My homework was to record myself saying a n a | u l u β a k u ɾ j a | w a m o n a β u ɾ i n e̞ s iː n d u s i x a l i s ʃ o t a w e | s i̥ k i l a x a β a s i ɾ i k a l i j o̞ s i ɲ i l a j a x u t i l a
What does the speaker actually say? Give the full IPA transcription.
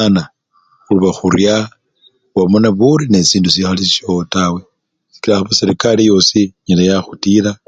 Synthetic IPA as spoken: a n a | u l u β a x u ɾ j a | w a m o n a β u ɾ i n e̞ s iː n d u s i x a l i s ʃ o t a w e | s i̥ k i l a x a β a s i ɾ i k a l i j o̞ s i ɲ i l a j a x u t i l a